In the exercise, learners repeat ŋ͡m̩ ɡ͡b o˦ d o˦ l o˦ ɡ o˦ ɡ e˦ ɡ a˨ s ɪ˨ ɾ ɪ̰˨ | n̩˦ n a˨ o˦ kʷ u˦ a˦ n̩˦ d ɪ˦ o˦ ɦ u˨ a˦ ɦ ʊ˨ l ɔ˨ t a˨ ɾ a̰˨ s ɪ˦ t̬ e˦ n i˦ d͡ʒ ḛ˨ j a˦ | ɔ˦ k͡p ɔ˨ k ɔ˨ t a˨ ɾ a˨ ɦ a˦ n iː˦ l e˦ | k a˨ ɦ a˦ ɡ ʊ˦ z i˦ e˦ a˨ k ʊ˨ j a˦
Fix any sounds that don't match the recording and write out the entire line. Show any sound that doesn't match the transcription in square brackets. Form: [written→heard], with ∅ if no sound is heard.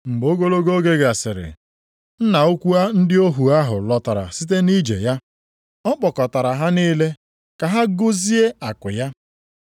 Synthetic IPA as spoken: ŋ͡m̩ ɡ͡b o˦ [d→ɡ] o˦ l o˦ ɡ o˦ ɡ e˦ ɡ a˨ s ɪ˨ ɾ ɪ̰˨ | n̩˦ n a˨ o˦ kʷ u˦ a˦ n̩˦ d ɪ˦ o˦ ɦ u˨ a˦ ɦ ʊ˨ l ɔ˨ t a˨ ɾ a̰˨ s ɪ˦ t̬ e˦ n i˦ d͡ʒ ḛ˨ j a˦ | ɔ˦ k͡p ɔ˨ k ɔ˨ t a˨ ɾ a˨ ɦ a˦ n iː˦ l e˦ | k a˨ ɦ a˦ ɡ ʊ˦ z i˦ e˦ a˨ k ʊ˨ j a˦

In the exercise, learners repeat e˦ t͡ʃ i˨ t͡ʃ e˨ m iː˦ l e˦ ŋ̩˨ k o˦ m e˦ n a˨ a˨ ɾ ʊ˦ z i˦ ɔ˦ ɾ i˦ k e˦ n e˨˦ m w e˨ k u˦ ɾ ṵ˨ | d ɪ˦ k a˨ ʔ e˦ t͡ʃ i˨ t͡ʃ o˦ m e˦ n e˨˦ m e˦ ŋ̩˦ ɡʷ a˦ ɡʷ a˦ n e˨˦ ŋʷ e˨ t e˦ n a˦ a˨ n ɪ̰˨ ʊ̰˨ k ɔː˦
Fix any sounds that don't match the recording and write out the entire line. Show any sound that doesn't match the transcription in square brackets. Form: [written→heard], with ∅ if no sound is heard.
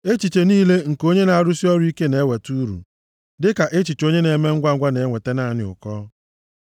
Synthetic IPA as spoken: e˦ t͡ʃ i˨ t͡ʃ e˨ [m→n] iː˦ l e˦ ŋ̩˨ k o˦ [m→ɲ] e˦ n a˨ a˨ ɾ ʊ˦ [z→s] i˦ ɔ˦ ɾ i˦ k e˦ n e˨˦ [m→∅] w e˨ [k→t] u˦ ɾ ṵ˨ | d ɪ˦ k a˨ ʔ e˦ t͡ʃ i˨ t͡ʃ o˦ [m→ɲ] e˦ n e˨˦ m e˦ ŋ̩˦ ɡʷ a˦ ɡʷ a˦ n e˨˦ ŋʷ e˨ t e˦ n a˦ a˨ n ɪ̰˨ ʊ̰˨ k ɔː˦

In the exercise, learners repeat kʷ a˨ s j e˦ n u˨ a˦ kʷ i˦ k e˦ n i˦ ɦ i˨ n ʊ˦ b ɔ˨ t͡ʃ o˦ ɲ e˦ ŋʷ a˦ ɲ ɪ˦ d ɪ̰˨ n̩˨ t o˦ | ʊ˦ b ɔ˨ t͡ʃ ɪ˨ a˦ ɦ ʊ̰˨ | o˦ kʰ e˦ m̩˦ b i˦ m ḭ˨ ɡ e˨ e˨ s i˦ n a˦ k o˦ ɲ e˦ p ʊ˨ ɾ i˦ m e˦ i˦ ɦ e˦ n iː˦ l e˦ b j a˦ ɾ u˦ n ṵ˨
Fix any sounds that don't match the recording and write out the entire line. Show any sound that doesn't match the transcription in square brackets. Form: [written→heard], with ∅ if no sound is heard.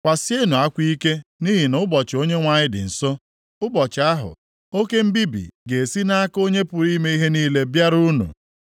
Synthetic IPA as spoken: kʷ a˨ s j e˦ n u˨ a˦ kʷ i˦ k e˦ n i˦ ɦ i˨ n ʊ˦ b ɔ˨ t͡ʃ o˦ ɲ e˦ ŋʷ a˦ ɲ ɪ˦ d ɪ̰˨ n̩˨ [t→s] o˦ | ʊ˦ b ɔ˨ t͡ʃ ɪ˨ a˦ ɦ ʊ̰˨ | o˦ [kʰ→k] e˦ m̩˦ b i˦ [m→b] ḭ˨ ɡ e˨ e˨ s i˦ n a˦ k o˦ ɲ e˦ p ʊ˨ ɾ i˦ m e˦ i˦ ɦ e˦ n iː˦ l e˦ b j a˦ ɾ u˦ n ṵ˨

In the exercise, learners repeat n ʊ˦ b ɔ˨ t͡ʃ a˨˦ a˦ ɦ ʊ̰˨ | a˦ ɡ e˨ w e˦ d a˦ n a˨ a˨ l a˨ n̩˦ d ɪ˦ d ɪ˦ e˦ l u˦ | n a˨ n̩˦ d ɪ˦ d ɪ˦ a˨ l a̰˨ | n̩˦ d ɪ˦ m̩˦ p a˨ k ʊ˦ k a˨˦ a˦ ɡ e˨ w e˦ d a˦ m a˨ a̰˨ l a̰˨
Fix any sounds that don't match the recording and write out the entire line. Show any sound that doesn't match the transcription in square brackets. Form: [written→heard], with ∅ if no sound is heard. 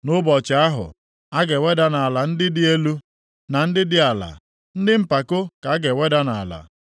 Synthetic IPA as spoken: n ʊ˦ b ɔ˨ t͡ʃ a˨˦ a˦ ɦ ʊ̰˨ | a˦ ɡ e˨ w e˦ d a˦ n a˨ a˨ l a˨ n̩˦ d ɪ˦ d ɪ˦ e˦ l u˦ | n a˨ n̩˦ d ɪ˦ d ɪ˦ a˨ l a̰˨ | n̩˦ d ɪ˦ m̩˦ p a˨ k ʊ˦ k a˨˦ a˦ ɡ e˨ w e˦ d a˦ [m→n] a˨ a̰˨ l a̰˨

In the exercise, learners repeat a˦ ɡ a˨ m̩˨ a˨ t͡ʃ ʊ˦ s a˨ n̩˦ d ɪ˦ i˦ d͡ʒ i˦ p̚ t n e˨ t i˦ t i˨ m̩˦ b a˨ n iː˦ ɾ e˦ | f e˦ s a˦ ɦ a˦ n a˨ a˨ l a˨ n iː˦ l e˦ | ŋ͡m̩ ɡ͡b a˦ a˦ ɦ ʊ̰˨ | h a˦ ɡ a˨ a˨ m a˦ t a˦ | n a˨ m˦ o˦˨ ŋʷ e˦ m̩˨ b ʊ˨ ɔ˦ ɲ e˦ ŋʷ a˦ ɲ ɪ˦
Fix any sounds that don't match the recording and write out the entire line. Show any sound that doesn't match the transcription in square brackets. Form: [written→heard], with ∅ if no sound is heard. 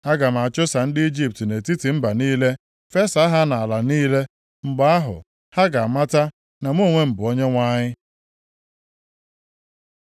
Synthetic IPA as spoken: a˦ ɡ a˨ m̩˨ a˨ t͡ʃ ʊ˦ s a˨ n̩˦ d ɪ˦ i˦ d͡ʒ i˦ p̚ t n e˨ t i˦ t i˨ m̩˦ b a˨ n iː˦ [ɾ→l] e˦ | f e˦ s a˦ ɦ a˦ n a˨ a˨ l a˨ n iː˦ l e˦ | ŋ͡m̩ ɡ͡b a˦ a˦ ɦ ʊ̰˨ | h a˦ ɡ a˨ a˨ m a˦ t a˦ | n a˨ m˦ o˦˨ ŋʷ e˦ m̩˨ b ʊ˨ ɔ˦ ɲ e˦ ŋʷ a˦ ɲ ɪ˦

